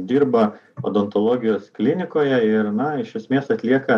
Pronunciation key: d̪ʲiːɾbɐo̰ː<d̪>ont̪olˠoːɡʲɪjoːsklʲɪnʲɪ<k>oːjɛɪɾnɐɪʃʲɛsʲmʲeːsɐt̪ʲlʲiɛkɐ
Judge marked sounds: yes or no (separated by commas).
yes, yes